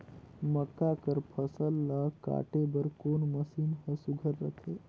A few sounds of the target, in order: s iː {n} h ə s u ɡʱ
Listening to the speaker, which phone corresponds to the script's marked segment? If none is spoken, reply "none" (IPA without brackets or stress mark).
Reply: n